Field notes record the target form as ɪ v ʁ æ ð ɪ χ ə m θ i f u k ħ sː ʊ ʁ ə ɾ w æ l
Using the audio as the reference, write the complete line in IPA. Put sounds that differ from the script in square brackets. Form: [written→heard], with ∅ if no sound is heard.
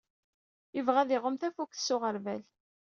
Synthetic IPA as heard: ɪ v ʁ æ ð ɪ [χ→ʁ] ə m θ [i→æ] f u k [ħ→θ] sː ʊ ʁ ə ɾ [w→v] æ l